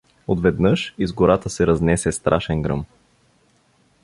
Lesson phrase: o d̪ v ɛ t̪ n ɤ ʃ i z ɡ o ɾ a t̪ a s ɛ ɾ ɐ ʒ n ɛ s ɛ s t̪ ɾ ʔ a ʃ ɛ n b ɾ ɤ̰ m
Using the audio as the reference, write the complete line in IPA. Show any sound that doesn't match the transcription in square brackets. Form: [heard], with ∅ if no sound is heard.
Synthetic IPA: o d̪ v ɛ [d̪] n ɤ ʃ i z ɡ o ɾ a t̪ [ə] s ɛ ɾ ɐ [z] n ɛ s ɛ s t̪ ɾ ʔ a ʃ ɛ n [ɡ] ɾ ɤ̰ m